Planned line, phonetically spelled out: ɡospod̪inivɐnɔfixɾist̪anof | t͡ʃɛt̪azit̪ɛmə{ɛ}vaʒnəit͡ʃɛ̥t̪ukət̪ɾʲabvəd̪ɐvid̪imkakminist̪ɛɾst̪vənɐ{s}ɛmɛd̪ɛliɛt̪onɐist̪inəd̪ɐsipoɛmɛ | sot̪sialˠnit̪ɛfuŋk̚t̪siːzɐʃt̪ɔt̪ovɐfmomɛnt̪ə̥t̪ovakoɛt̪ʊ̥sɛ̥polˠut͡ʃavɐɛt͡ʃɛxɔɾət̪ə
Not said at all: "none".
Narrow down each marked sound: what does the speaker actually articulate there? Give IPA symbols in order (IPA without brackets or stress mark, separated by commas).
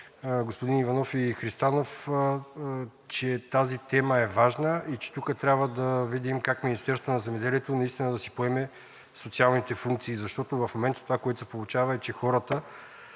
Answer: ɛ, z